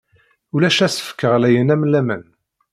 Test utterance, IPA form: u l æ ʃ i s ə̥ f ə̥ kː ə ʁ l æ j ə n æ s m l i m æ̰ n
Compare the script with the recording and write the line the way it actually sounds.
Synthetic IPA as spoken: u l æ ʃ æ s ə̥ f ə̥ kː ə ʁ l æ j ə n æ m l æ m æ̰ n